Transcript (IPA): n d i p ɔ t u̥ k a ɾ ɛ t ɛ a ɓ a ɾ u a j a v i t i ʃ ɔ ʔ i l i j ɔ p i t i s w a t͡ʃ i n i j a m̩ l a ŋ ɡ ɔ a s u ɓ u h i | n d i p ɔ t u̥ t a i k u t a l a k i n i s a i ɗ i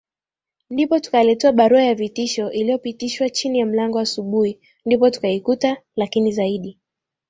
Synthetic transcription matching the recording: n d i p ɔ t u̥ k a l ɛ t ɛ a ɓ a ɾ u a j a v i t i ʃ ɔ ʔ i l i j ɔ p i t i ʃ w a t͡ʃ i n i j a m̩ l a ŋ ɡ ɔ a s u ɓ u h i | n d i p ɔ t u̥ k a i k u t a l a k i n i z a i ɗ i

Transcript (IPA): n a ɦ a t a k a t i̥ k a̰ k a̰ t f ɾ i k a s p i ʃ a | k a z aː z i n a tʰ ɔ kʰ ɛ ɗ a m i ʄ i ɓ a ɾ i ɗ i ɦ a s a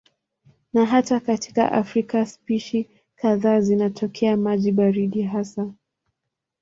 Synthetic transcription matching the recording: n a ɦ a t a k a t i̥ k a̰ ʔ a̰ f ɾ i k a s p i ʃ i | k a ð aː z i n a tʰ ɔ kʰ ɛ a m a ʄ i ɓ a ɾ i ɗ i ɦ a s a

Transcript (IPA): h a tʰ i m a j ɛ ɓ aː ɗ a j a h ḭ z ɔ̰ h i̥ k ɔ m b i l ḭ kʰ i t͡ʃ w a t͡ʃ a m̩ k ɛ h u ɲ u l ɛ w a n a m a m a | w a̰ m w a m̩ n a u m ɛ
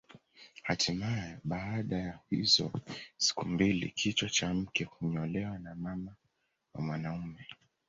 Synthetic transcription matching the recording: h a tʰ i m a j ɛ ɓ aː ɗ a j a h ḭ z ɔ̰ s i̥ k u m b i l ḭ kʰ i t͡ʃ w a t͡ʃ a m̩ k ɛ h u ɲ ɔ l ɛ w a n a m a m a | w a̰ m w a n a u m ɛ

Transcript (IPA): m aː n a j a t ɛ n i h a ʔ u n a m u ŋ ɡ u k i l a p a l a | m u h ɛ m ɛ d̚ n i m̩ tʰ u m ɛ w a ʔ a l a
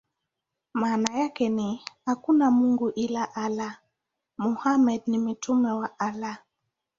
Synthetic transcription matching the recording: m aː n a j a k ɛ n i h a k u n a m u ŋ ɡ u ʔ i l a ʔ a l a | m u h a m ɛ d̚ n i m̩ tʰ u m ɛ w a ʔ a l a

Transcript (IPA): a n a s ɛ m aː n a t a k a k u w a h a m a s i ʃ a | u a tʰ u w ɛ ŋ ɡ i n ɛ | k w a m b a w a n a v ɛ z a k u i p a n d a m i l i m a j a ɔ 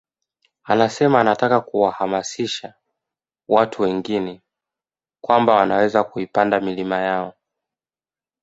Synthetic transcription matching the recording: a n a s ɛ m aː n a t a k a k u w a h a m a s i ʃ a | w a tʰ u w ɛ ŋ ɡ i n ɛ | k w a m b a w a n a w ɛ z a k u i p a n d a m i l i m a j a ɔ

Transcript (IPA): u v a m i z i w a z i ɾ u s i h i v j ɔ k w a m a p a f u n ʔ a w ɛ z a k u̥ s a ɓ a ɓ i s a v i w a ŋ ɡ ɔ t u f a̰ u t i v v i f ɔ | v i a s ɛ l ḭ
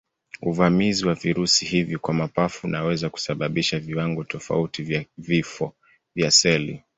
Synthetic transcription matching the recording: u v a m i z i w a v i ɾ u s i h i v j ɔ k w a m a p a f u n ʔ a w ɛ z a k u̥ s a ɓ a ɓ i ʃ a v i w a ŋ ɡ ɔ t ɔ f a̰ u t i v v i f ɔ | v j a s ɛ l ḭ

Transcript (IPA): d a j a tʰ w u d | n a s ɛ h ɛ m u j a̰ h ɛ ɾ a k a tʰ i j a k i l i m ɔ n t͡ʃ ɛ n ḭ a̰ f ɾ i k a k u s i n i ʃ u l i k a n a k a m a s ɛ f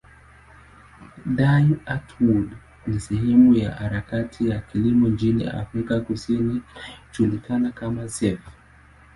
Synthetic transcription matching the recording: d a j a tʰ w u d | n i s ɛ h ɛ m u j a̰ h a ɾ a k a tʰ i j a k i l i m ɔ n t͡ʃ i n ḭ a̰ f ɾ i k a k u s i n i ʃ u l i k a n a k a m a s ɛ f

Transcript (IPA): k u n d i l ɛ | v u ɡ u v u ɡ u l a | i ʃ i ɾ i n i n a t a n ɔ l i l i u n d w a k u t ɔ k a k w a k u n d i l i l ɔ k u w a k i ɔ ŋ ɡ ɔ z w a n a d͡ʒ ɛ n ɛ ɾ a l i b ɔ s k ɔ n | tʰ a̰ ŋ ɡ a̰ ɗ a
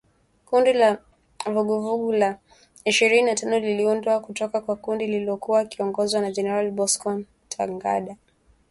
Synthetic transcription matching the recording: k u n d i l a | v u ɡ u v u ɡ u l a | i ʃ i ɾ i n i n a t a n ɔ l i l i u n d w a k u t ɔ k a k w a k u n d i l i l ɔ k u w a k i ɔ ŋ ɡ ɔ z w a n a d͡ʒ ɛ n ɛ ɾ a l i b ɔ s k ɔ n | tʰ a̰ ŋ ɡ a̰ ɗ a

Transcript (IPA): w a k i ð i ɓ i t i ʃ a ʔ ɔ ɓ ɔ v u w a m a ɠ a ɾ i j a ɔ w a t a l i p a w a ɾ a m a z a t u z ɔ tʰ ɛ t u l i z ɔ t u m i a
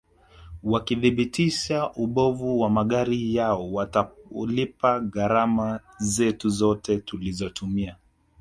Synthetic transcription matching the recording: w a k i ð i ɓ i t i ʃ a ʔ u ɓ ɔ v u w a m a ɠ a ɾ i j a ɔ w a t a l i p a ɣ a ɾ a m a z ɛ t u z ɔ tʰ ɛ t u l i z ɔ t u m i a

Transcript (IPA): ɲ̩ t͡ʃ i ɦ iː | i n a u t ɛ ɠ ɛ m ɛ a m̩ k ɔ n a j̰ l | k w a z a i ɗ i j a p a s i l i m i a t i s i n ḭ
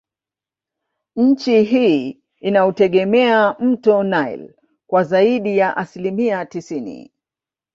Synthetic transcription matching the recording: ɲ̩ t͡ʃ i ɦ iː | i n a u t ɛ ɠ ɛ m ɛ a m̩ t ɔ n a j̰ l | k w a z a i ɗ i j a ʔ a s i l i m i a t i s i n ḭ

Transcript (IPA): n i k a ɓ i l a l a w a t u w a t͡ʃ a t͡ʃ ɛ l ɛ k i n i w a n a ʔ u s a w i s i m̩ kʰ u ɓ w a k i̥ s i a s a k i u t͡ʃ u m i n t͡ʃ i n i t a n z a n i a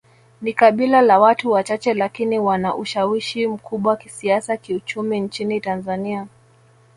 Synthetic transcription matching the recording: n i k a ɓ i l a l a w a t u w a t͡ʃ a t͡ʃ ɛ l a k i n i w a n a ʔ u ʃ a w i ʃ i m̩ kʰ u ɓ w a k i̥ s i a s a k i u t͡ʃ u m i n t͡ʃ i n i t a n z a n i a

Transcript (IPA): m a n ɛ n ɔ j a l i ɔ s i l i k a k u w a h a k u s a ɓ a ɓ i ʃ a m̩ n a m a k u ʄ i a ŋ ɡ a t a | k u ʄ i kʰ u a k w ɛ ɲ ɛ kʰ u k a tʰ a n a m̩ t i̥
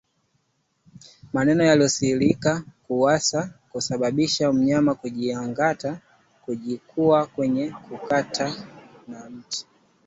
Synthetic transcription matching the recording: m a n ɛ n ɔ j a l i ɔ s i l i k a k u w a s a k u s a ɓ a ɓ i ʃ a m̩ ɲ a m a k u ʄ i a ŋ ɡ a t a | k u ʄ i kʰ u a k w ɛ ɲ ɛ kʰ u k a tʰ a n a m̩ t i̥

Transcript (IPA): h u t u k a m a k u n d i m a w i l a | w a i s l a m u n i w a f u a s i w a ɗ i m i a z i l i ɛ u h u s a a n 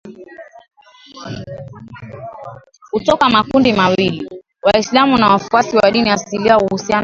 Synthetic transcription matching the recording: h u t ɔ k a m a k u n d i m a w i l i | w a i s l a m u n a w a f u a s i w a ɗ i n i a s i l i a u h u s i a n

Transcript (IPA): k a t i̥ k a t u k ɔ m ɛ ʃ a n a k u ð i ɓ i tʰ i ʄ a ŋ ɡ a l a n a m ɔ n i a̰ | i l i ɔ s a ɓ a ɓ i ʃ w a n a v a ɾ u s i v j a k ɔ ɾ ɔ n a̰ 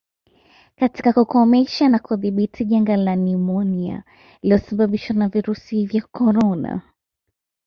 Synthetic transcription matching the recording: k a t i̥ k a k u k ɔ m ɛ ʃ a n a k u ð i ɓ i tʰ i ʄ a ŋ ɡ a l a n i m ɔ n i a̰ | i l i ɔ s a ɓ a ɓ i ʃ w a n a v i ɾ u s i v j a k ɔ ɾ ɔ n a̰

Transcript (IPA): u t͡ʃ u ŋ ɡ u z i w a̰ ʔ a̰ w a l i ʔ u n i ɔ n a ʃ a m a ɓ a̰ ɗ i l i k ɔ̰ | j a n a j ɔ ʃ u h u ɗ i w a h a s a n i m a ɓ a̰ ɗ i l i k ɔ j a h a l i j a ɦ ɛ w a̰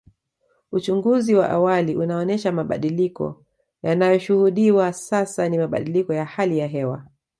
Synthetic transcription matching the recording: u t͡ʃ u ŋ ɡ u z i w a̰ ʔ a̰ w a l i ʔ u n a ɔ n ɛ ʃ a m a ɓ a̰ ɗ i l i k ɔ̰ | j a n a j ɔ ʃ u h u ɗ i w a s a s a n i m a ɓ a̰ ɗ i l i k ɔ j a h a l i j a ɦ ɛ w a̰

